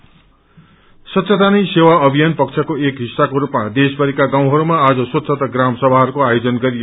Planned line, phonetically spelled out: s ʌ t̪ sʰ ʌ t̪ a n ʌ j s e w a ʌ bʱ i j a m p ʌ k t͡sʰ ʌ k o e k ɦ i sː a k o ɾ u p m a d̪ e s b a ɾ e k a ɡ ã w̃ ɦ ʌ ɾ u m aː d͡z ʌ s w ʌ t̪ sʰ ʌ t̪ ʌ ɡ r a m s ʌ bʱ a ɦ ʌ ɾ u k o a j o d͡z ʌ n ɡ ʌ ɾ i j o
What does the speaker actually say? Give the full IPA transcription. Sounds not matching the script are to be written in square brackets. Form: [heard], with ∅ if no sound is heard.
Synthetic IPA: s ʌ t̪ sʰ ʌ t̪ a n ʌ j s e w a ʌ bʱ i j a [n] p ʌ k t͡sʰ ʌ k o e k ɦ i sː a k o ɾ u p m a d̪ e s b [ʌ] ɾ [i] k a ɡ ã w̃ ɦ ʌ ɾ u m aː d͡z ʌ s w ʌ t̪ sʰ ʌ t̪ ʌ ɡ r a m s ʌ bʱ a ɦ ʌ ɾ u k o a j o d͡z ʌ n ɡ ʌ ɾ i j o